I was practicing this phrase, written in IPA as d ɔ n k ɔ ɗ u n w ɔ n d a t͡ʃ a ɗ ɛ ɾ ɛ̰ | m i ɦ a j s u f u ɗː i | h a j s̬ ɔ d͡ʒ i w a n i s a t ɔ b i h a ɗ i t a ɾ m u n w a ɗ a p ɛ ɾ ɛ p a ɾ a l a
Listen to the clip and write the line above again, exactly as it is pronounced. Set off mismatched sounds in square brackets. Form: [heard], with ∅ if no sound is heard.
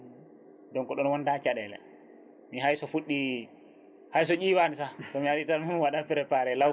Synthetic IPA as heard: d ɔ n k ɔ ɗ [ɔ] n w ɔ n d a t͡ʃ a ɗ ɛ [l] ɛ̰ | m i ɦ a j s [ɔ] f u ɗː i | h a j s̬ ɔ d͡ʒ i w a n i s a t ɔ [m] i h a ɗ i t a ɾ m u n w a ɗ a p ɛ ɾ ɛ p a ɾ [ɛ] l a